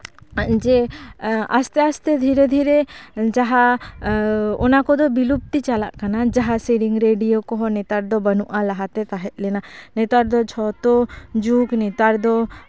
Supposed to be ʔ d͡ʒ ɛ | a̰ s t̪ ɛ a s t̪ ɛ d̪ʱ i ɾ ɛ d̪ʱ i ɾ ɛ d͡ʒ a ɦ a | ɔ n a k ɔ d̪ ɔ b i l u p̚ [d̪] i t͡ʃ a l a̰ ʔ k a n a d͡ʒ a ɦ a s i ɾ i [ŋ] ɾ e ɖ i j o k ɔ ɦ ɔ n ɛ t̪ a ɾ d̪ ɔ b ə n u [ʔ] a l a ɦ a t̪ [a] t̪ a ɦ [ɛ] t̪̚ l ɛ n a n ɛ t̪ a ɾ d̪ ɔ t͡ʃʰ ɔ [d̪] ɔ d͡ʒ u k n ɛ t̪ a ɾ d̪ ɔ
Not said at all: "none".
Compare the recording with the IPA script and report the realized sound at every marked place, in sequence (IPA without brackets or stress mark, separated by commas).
t̪, ŋ, ʔ, ɛ, ɛ, t̪